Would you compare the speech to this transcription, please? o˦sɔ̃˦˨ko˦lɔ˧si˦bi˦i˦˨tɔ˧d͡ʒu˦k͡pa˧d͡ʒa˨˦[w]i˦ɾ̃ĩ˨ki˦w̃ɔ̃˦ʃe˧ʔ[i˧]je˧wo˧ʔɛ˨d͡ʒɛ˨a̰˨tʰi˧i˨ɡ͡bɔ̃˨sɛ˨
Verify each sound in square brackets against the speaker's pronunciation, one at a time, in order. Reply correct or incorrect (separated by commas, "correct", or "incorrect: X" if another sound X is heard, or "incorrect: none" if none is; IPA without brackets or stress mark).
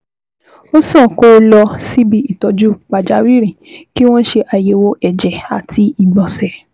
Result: correct, incorrect: a˧